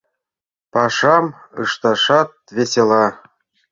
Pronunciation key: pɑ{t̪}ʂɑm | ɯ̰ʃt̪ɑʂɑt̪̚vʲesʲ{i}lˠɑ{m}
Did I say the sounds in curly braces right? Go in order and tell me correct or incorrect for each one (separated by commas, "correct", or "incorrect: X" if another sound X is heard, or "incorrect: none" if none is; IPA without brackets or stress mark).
incorrect: none, incorrect: e, incorrect: none